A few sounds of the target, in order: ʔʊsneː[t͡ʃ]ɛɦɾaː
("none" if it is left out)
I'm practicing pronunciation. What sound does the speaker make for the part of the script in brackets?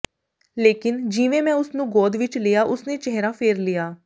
t͡ʃ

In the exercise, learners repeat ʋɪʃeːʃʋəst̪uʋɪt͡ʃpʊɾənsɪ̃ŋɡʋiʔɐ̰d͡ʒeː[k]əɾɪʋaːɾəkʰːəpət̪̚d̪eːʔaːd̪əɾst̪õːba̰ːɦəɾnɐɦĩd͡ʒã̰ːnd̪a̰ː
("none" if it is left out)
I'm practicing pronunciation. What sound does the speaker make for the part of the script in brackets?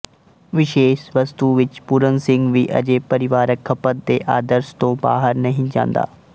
p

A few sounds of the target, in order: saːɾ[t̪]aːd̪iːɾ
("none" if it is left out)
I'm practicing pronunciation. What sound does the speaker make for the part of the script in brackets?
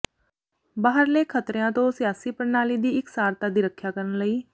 t̪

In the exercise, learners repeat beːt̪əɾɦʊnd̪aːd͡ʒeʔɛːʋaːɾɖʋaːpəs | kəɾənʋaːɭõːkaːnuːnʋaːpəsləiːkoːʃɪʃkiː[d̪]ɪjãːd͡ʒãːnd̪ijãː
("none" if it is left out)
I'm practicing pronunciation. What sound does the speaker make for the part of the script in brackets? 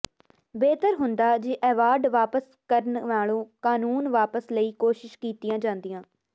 t̪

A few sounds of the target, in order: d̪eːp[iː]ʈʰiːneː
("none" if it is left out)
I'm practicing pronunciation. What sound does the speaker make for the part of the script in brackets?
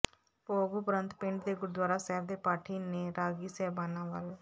aː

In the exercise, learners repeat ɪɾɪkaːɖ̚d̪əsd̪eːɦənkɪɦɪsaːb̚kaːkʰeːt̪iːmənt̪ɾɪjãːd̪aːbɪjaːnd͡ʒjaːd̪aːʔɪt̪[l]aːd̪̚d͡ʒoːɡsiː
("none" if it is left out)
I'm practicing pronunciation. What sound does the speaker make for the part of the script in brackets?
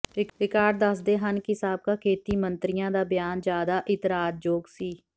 ɾ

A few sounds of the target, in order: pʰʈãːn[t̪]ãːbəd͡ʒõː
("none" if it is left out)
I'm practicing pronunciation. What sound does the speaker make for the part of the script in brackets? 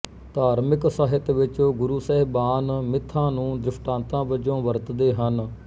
t̪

